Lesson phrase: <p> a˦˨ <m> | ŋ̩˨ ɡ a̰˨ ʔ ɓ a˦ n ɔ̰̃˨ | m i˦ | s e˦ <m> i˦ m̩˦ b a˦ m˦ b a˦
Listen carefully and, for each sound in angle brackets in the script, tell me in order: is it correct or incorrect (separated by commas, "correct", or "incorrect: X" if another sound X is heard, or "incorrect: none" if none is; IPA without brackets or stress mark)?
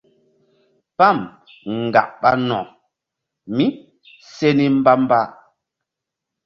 correct, correct, incorrect: n